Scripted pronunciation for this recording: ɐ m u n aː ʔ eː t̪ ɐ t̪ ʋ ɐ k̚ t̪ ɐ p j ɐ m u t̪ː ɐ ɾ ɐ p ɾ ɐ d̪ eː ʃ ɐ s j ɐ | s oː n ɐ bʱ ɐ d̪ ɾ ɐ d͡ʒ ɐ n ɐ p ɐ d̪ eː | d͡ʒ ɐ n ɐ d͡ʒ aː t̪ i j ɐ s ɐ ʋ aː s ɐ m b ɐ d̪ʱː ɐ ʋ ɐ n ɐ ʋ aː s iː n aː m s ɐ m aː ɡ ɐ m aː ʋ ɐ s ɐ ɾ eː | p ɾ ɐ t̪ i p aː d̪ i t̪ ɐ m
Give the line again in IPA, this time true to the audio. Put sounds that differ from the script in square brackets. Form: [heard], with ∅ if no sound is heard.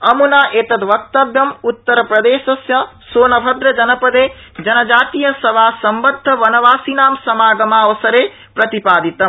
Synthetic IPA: ɐ m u n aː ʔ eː t̪ ɐ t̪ ʋ ɐ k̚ t̪ ɐ [b] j ɐ m u t̪ː ɐ ɾ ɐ p ɾ ɐ d̪ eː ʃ ɐ s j ɐ | s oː n ɐ bʱ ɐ d̪ ɾ ɐ d͡ʒ ɐ n ɐ p ɐ d̪ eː | d͡ʒ ɐ n ɐ d͡ʒ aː t̪ i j ɐ s ɐ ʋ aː s ɐ m b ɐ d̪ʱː ɐ ʋ ɐ n ɐ ʋ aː s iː n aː m s ɐ m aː ɡ ɐ m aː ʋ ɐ s ɐ ɾ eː | p ɾ ɐ t̪ i p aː d̪ i t̪ ɐ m

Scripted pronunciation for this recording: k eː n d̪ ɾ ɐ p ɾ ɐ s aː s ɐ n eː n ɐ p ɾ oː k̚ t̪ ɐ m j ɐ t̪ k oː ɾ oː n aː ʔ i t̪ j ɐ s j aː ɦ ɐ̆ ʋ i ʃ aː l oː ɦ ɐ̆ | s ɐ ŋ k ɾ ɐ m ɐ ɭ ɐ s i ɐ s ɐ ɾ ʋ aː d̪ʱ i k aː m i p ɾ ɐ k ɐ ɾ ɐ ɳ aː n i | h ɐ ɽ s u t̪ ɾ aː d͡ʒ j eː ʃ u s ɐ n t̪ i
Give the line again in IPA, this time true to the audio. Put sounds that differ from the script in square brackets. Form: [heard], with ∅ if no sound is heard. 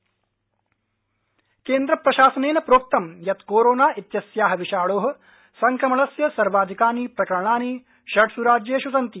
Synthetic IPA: k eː n d̪ ɾ ɐ p ɾ ɐ [ʃ] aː s ɐ n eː n ɐ p ɾ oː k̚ t̪ ɐ m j ɐ t̪ k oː ɾ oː n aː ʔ i t̪ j ɐ s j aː ɦ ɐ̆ ʋ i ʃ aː [ɭ] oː ɦ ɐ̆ | s ɐ ŋ k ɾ ɐ m ɐ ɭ ɐ s [j] ɐ s ɐ ɾ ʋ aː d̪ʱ i k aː [n] i p ɾ ɐ k ɐ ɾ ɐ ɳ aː n i | [ʃ] ɐ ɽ s u [∅] ɾ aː d͡ʒ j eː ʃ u s ɐ n t̪ i

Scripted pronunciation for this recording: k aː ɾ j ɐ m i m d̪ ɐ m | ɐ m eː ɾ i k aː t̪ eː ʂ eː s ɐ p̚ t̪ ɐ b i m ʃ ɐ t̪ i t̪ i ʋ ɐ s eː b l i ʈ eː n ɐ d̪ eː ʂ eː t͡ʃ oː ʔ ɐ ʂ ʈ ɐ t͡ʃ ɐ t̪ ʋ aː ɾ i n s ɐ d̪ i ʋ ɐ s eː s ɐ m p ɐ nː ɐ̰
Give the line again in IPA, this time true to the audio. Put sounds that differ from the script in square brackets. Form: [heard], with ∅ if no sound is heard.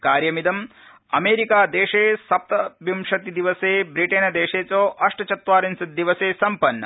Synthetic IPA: k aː ɾ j ɐ m i [∅] d̪ ɐ m | ɐ m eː ɾ i k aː [d̪] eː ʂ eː s ɐ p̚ t̪ ɐ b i m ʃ ɐ t̪ i [d̪] i ʋ ɐ s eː b [ɾ] i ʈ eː n ɐ d̪ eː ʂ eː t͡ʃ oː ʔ ɐ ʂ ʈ ɐ t͡ʃ ɐ t̪ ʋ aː ɾ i n s ɐ d̪ i ʋ ɐ s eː s ɐ m p ɐ nː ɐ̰

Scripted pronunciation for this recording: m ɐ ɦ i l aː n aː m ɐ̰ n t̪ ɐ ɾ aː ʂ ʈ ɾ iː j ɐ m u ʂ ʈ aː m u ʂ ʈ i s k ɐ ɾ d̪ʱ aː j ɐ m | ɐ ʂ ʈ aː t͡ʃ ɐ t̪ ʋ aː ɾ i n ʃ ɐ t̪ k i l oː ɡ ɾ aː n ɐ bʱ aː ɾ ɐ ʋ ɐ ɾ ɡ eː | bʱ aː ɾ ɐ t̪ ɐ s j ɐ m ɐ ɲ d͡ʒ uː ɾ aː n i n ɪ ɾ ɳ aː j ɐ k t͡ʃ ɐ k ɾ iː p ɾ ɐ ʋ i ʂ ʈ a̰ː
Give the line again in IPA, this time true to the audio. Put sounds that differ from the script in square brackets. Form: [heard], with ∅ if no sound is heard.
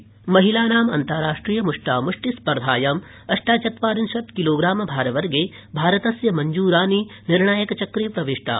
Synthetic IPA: m ɐ ɦ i l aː n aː m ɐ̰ n t̪ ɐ ɾ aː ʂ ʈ ɾ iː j ɐ m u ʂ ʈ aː m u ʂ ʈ i s [p] ɐ ɾ d̪ʱ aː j ɐ m | ɐ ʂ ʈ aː t͡ʃ ɐ t̪ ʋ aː ɾ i n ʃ ɐ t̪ k i l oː ɡ ɾ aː [m] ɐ bʱ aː ɾ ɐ ʋ ɐ ɾ ɡ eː | bʱ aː ɾ ɐ t̪ ɐ s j ɐ m ɐ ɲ d͡ʒ uː ɾ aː n i n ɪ ɾ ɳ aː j ɐ k t͡ʃ ɐ k ɾ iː p ɾ ɐ ʋ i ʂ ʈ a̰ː

